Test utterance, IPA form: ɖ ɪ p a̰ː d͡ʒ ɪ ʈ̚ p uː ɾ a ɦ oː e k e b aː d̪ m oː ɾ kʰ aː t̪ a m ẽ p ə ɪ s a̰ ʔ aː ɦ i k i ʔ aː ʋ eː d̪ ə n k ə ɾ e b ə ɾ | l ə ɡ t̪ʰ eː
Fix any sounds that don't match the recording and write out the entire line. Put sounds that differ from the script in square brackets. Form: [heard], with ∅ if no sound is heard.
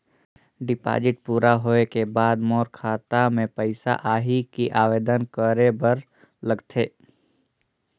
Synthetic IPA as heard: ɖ ɪ p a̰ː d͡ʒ ɪ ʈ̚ p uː ɾ a ɦ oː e k e b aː d̪ m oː ɾ kʰ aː t̪ a m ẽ p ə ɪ s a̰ ʔ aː ɦ i k i ʔ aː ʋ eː d̪ ə n k ə ɾ e b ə ɾ | l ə ɡ t̪ʰ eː

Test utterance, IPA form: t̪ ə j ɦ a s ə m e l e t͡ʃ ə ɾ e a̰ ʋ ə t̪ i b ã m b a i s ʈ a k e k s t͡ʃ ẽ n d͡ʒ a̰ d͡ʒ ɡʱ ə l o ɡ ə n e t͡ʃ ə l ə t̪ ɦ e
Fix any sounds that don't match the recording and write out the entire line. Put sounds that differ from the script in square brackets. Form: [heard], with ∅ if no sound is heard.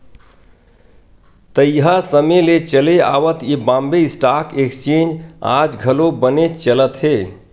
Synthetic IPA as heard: t̪ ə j ɦ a s ə m e l e t͡ʃ ə [l] e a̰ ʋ ə t̪ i b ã m b [e] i s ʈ a k e k s t͡ʃ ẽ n d͡ʒ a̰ d͡ʒ ɡʱ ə l o [b] ə n e t͡ʃ ə l ə t̪ ɦ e

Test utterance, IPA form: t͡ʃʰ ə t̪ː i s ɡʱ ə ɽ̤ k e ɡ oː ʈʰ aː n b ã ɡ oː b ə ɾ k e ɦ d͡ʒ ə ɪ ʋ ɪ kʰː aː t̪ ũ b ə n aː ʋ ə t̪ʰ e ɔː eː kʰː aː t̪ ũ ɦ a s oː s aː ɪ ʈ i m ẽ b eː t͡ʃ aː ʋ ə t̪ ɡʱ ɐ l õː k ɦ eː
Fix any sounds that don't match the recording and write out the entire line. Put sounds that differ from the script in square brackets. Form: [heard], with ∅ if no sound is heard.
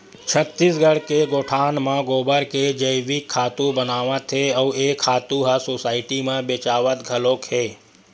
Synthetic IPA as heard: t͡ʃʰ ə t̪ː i s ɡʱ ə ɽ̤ k e ɡ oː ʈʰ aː n [m] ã ɡ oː b ə ɾ k e [∅] d͡ʒ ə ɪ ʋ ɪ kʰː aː t̪ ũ b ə n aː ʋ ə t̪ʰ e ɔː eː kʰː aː t̪ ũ ɦ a s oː s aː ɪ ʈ i m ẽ b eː t͡ʃ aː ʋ ə t̪ ɡʱ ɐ l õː k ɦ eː

